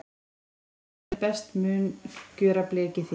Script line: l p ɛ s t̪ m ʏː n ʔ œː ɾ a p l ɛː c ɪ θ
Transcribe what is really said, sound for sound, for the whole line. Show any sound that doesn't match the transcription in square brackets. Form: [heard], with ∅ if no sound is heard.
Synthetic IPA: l p ɛ s t̪ m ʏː n [c] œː ɾ a p l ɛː c ɪ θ

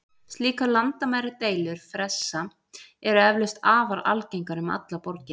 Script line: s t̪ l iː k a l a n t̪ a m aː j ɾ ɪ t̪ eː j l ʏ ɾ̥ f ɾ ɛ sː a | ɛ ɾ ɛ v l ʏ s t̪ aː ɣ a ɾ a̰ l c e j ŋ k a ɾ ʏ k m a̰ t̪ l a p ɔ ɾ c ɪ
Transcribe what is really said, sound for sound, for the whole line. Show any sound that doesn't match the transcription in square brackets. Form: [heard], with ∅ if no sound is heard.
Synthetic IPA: s t̪ l iː k a l a n t̪ a m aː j ɾ ɪ t̪ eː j l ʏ ɾ̥ f ɾ ɛ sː a | ɛ ɾ ɛ v l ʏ s t̪ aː [v] a ɾ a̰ l c e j ŋ k a ɾ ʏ [∅] m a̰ t̪ l a p ɔ ɾ c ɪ

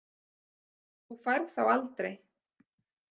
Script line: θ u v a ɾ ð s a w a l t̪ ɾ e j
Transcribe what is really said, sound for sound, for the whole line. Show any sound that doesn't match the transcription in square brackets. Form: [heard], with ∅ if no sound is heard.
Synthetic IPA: θ u [f] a ɾ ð [θ] a w a l t̪ ɾ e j

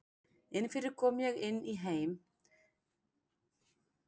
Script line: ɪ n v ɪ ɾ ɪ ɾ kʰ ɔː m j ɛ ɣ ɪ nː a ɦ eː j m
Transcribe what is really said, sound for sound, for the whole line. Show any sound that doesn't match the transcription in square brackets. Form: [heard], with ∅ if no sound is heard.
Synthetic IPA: ɪ n [f] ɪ ɾ ɪ ɾ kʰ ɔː m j ɛ ɣ ɪ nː [i] ɦ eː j m

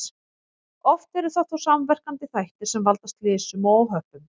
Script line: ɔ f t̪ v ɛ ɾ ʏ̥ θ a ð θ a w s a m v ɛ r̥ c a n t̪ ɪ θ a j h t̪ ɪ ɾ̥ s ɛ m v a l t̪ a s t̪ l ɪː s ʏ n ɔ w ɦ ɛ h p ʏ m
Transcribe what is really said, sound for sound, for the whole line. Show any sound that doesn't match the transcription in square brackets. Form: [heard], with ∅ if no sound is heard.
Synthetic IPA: ɔ f t̪ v ɛ ɾ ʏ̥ θ a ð θ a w s a m v ɛ r̥ [k] a n t̪ ɪ θ a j h t̪ ɪ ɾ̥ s ɛ m v a l t̪ a s t̪ l ɪː s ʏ [m] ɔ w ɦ [œ] h p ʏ m

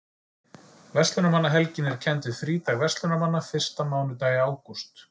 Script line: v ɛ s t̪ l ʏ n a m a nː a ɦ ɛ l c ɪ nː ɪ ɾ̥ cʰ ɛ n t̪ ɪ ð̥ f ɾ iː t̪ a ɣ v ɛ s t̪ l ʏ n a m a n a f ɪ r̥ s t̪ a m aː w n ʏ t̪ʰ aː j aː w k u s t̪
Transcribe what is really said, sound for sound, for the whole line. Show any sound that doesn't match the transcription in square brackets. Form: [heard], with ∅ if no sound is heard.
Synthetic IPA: v ɛ s t̪ l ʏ n a m a nː a ɦ ɛ l c ɪ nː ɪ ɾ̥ cʰ ɛ n t̪ ɪ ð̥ f ɾ iː t̪ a ɣ v ɛ s t̪ l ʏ n a m a [nː] a f ɪ r̥ s t̪ a m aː w n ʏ [t̪] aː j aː w k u s t̪

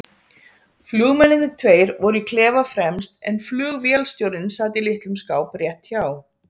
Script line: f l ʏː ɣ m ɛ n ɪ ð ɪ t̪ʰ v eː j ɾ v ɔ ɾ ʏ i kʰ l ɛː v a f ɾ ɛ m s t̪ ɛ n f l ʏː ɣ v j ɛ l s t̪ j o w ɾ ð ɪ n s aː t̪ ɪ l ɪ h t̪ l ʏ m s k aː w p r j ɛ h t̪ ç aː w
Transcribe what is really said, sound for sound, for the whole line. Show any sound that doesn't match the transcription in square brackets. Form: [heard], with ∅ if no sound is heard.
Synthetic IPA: f l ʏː ɣ m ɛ n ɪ ð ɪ t̪ʰ v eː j ɾ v ɔ ɾ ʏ i kʰ l ɛː v a f ɾ ɛ m s t̪ ɛ n f l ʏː ɣ v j ɛ l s t̪ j o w ɾ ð ɪ n s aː t̪ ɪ l ɪ h t̪ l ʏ m s k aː w p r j ɛ h t̪ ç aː w

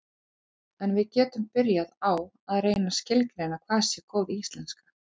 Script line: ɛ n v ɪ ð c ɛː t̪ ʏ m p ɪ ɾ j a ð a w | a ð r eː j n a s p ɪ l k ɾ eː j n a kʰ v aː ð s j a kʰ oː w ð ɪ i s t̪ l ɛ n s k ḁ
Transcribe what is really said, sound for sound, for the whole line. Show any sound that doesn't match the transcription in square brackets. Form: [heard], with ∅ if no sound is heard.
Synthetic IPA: ɛ n v ɪ ð c ɛː t̪ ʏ m p ɪ ɾ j a ð a w | a ð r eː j n a s [c] ɪ l k ɾ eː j n a kʰ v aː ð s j [ɛ] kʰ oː w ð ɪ i s t̪ l ɛ n s k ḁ

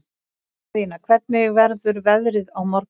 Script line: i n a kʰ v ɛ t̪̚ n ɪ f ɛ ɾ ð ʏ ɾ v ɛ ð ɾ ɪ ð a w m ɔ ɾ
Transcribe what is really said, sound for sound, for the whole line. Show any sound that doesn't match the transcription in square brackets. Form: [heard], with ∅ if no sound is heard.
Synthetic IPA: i n a kʰ v ɛ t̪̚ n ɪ [v] ɛ ɾ ð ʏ ɾ v ɛ ð ɾ ɪ ð a w m ɔ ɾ

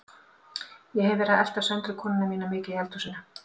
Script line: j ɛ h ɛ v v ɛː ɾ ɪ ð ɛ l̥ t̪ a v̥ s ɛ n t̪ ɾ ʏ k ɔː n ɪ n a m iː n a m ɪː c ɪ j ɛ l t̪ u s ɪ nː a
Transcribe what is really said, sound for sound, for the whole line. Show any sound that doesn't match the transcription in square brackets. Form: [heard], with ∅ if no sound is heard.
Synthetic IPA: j ɛ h ɛ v v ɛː ɾ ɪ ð ɛ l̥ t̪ a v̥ s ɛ n t̪ ɾ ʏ [kʰ] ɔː n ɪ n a m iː n a m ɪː c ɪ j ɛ l t̪ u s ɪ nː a

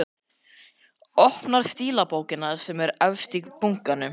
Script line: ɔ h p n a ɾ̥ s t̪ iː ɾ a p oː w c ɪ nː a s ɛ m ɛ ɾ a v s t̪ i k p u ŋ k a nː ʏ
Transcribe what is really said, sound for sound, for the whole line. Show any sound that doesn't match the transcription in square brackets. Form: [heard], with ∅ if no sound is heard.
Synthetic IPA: ɔ h p n a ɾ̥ s t̪ iː [l] a p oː w c ɪ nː a s ɛ m ɛ ɾ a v s t̪ i k p u ŋ k a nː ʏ

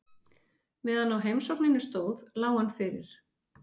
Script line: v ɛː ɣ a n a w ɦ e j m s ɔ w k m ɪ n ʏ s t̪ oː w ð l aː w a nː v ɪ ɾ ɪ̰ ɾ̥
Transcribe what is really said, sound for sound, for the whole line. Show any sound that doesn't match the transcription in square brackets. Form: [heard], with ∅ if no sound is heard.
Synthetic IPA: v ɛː [ð] a n a w ɦ e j m s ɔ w k [n] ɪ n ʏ s t̪ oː w ð l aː w a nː [f] ɪ ɾ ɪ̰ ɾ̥

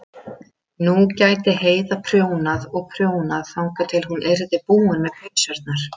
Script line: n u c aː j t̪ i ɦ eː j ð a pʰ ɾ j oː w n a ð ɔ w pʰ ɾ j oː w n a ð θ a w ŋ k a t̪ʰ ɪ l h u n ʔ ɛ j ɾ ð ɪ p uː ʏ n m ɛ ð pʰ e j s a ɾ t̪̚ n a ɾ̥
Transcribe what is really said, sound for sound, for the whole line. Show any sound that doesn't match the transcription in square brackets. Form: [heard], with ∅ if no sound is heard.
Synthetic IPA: n u c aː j t̪ [ɪ] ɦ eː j ð a pʰ ɾ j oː w n a ð ɔ [ɣ] pʰ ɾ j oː w n a ð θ a w ŋ k a t̪ʰ ɪ l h u n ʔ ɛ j ɾ ð ɪ p uː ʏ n m ɛ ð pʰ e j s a ɾ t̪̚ n a ɾ̥

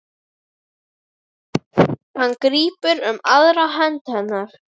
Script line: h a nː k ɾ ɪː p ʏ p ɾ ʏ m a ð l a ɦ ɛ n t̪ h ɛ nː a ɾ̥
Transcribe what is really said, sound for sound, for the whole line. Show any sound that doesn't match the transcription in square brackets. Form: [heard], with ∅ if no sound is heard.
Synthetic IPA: h a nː k ɾ [iː] p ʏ [∅] ɾ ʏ m a ð [ɾ] a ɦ ɛ n t̪ h ɛ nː a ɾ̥

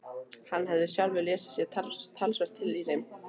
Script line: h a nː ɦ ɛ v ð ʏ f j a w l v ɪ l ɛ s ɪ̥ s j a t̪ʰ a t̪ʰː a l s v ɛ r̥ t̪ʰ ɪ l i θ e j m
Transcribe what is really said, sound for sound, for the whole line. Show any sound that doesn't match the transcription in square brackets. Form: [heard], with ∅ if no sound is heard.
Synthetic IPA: h a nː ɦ ɛ v ð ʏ [s] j a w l v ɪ l [ɛː] s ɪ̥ s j [ɛ] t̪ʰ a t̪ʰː a l s v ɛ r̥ t̪ʰ ɪ l i θ e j m

